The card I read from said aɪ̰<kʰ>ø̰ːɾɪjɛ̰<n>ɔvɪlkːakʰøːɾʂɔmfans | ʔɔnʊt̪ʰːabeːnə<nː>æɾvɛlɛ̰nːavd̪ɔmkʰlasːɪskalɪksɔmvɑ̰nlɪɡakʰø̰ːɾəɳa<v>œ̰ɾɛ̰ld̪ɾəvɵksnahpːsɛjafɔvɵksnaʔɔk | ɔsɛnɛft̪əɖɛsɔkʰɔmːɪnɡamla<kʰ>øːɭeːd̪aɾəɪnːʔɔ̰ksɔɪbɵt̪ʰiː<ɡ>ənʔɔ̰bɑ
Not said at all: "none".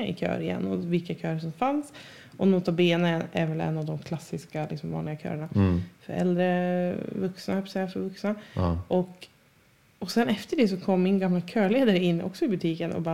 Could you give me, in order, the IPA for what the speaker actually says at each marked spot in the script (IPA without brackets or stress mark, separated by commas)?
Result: kʰ, nː, n, f, kʰ, k